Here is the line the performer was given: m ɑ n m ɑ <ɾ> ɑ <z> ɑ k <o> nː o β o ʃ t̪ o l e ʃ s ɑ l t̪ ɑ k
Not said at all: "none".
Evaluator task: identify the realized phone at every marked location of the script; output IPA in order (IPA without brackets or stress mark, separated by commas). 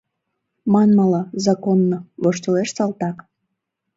l, z, o